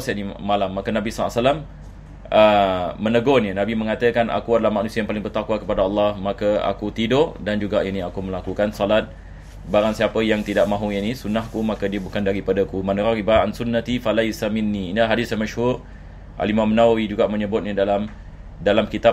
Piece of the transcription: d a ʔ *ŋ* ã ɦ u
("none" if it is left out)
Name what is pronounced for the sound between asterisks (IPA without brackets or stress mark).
m